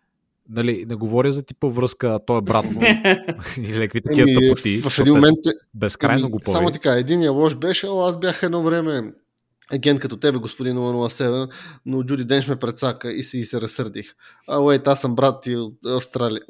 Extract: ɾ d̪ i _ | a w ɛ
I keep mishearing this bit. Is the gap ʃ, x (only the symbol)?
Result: x